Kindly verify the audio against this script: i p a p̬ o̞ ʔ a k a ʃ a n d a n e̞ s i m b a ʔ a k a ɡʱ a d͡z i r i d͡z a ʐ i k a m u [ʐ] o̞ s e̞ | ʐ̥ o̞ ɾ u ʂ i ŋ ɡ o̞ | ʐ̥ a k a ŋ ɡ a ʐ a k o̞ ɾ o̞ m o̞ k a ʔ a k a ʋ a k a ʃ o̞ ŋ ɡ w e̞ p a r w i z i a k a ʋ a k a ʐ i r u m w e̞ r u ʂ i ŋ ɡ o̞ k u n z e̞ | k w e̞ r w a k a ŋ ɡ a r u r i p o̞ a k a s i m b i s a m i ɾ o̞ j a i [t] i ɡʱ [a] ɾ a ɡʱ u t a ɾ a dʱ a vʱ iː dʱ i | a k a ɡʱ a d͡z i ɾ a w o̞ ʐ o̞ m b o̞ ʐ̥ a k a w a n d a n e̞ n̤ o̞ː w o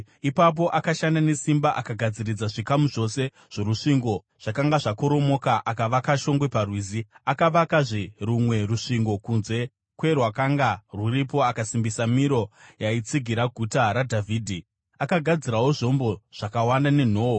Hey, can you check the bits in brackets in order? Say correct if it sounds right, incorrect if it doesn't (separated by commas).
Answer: correct, incorrect, incorrect